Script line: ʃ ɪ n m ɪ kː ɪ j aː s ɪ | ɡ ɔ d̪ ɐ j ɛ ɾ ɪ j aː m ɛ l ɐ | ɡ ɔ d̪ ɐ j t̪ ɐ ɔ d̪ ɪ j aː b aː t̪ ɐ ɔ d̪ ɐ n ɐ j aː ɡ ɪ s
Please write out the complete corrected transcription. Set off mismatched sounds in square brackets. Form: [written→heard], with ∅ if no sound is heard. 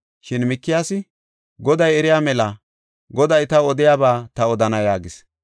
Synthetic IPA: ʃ ɪ n m ɪ kː ɪ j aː s ɪ | ɡ ɔ d̪ ɐ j ɛ ɾ ɪ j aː m ɛ l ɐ | ɡ ɔ d̪ ɐ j t̪ ɐ ɔ d̪ ɪ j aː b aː t̪ ɐ ɔ d̪ ɐ n ɐ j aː ɡ ɪ s